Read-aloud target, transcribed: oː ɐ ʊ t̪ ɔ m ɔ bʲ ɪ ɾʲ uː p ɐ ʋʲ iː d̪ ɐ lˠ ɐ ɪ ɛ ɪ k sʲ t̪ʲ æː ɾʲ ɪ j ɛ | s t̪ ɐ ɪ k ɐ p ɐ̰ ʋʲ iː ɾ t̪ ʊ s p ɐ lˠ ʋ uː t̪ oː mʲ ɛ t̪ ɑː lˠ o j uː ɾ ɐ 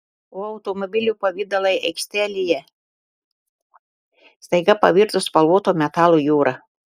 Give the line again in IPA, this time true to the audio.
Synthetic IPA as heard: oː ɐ ʊ t̪ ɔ m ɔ bʲ ɪ lʲ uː p ɐ ʋʲ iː d̪ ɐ lˠ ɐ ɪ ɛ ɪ k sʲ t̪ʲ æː lʲ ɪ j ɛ | s t̪ ɐ ɪ ɡ ɐ p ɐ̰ ʋʲ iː ɾ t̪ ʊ s p ɐ lˠ ʋ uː t̪ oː mʲ ɛ t̪ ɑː lˠ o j uː ɾ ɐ

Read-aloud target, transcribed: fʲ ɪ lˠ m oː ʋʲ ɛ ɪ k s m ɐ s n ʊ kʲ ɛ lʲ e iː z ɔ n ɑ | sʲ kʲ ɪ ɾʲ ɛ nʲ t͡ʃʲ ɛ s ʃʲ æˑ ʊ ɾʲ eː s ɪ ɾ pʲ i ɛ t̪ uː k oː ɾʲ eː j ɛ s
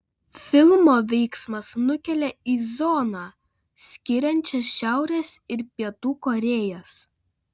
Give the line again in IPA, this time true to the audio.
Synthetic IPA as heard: fʲ ɪ lˠ m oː ʋʲ ɛ ɪ k s m ɐ s n ʊ kʲ ɛ lʲ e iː z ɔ n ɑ | sʲ kʲ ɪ ɾʲ ɛ nʲ t͡ʃʲ ɛ s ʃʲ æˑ ʊ ɾʲ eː s ɪ ɾ pʲ i ɛ t̪ uː k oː ɾʲ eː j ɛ s

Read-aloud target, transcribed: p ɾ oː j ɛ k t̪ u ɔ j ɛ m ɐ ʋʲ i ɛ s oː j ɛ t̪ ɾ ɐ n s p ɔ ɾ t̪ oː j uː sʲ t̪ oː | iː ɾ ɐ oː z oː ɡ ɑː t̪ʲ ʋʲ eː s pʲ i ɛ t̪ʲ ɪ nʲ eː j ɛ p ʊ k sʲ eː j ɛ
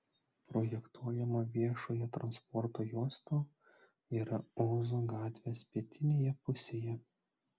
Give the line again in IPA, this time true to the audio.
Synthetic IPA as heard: p ɾ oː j ɛ k t̪ u ɔ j ɛ m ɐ ʋʲ i ɛ ʃ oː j ɛ t̪ ɾ ɐ n s p ɔ ɾ t̪ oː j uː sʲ t̪ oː | iː ɾ ɐ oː z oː ɡ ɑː t̪ʲ ʋʲ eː s pʲ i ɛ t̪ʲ ɪ nʲ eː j ɛ p ʊ sʲ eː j ɛ

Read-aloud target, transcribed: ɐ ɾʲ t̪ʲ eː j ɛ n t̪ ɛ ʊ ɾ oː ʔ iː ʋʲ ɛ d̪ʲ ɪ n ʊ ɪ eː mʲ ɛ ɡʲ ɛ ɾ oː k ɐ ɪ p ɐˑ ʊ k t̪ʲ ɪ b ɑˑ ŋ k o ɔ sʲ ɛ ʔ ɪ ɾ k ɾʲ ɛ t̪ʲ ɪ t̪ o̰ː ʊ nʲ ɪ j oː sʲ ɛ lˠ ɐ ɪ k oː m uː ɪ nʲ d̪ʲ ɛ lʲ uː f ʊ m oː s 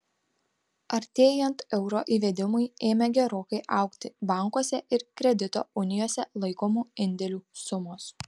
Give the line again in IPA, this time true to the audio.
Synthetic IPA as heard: ɐ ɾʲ t̪ʲ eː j ɛ n t̪ ɛ ʊ ɾ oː ʔ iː ʋʲ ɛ d̪ʲ ɪ m ʊ ɪ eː mʲ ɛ ɡʲ ɛ ɾ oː k ɐ ɪ ʔ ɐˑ ʊ k t̪ʲ ɪ b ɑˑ ŋ k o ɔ sʲ ɛ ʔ ɪ ɾ k ɾʲ ɛ d̪ʲ ɪ t̪ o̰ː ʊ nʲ ɪ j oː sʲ ɛ lˠ ɐ ɪ k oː m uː ɪ nʲ d̪ʲ ɛ lʲ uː s ʊ m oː s

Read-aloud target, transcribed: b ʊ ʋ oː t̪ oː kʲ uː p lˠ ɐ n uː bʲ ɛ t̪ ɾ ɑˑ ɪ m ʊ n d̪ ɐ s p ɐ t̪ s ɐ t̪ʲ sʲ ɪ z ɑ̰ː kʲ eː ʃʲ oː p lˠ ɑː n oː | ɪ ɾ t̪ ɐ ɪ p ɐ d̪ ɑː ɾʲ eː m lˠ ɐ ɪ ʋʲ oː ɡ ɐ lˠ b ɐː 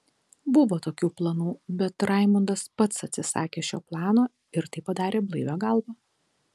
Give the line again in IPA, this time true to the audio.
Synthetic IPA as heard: b ʊ ʋ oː t̪ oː kʲ uː p lˠ ɐ n uː bʲ ɛ t̪ ɾ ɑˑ ɪ m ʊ n d̪ ɐ s p ɐ t̪ s ɐ t̪ʲ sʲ ɪ s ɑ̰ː kʲ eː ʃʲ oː p lˠ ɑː n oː | ɪ ɾ t̪ ɐ ɪ p ɐ d̪ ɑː ɾʲ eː b lˠ ɐ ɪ ʋʲ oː ɡ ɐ lˠ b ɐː

